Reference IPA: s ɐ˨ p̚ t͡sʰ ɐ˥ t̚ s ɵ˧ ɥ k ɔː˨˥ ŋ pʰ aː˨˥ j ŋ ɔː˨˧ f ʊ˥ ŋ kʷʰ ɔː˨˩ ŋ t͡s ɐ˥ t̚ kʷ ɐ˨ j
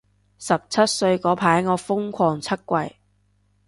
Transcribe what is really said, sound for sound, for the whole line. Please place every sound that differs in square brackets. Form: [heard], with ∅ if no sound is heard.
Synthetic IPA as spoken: s ɐ˨ p̚ t͡sʰ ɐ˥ t̚ s ɵ˧ ɥ k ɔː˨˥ [∅] pʰ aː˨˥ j ŋ ɔː˨˧ f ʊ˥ ŋ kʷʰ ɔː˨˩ ŋ [t͡sʰ] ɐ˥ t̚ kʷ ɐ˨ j